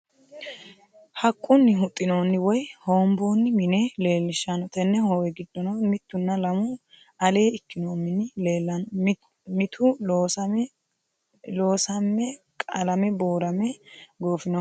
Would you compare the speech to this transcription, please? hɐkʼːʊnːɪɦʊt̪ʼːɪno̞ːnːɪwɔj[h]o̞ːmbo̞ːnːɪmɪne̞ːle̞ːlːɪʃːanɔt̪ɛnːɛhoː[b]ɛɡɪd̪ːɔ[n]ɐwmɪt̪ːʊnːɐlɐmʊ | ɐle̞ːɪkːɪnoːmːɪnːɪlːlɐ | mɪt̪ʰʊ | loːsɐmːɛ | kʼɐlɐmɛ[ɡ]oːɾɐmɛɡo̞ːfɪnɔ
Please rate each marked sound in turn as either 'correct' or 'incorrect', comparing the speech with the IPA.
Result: correct, incorrect, correct, incorrect

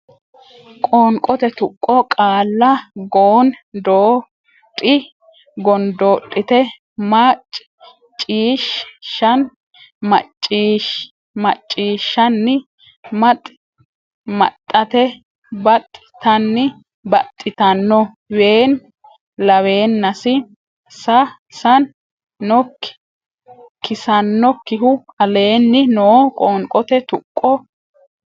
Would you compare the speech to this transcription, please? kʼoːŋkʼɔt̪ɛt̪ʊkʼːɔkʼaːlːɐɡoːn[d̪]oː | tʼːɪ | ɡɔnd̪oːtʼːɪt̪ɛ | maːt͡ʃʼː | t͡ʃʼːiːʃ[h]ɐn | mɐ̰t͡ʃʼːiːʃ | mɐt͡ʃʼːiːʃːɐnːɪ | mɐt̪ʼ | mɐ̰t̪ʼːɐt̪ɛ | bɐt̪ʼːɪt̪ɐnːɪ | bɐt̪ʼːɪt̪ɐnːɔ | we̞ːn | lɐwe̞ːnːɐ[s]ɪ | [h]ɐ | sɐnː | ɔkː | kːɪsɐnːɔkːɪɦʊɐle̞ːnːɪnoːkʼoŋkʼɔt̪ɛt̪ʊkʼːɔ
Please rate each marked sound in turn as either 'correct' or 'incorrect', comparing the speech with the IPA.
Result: correct, incorrect, correct, incorrect

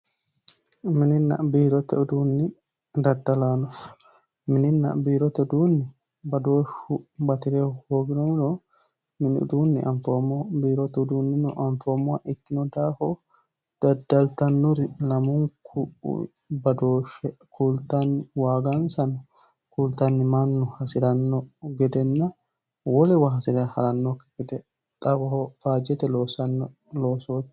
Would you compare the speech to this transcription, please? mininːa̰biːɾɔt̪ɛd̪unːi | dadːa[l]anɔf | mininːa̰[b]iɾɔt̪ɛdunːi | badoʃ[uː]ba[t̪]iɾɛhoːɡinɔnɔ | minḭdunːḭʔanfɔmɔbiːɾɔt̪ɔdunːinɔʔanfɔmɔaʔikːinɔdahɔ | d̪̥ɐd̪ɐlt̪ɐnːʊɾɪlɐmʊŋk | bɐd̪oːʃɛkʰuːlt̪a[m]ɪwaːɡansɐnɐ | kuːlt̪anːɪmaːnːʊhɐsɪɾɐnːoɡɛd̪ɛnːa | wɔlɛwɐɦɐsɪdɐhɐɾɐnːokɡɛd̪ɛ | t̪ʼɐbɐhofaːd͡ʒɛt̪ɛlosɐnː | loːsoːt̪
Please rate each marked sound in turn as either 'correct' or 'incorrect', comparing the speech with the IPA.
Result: correct, correct, incorrect, correct, incorrect

